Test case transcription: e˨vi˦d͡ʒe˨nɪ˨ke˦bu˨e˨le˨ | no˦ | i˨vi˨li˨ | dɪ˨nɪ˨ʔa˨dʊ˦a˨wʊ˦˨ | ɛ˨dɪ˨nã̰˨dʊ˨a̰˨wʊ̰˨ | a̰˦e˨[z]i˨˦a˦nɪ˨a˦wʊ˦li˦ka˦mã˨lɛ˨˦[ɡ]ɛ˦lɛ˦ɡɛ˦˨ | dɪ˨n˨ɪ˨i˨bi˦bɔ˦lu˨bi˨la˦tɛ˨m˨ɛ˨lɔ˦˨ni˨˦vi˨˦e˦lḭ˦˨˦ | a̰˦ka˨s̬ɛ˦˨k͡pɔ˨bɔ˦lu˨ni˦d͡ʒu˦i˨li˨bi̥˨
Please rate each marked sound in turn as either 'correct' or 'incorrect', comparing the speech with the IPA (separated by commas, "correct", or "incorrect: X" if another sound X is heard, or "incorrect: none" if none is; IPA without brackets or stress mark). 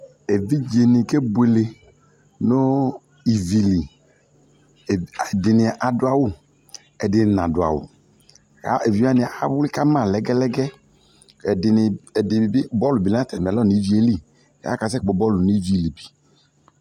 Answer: incorrect: v, correct